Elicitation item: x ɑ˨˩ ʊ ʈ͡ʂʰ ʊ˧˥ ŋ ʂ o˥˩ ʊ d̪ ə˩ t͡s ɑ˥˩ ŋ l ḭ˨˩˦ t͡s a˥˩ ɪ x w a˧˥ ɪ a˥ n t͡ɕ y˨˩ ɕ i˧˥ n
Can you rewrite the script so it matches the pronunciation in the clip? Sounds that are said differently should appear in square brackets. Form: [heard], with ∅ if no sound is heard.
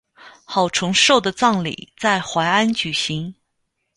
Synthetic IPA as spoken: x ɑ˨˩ ʊ ʈ͡ʂʰ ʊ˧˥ ŋ ʂ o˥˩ ʊ d̪ ə˩ t͡s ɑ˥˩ ŋ l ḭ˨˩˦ t͡s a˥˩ ɪ x w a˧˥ ɪ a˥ n t͡ɕ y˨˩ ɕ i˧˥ [ŋ]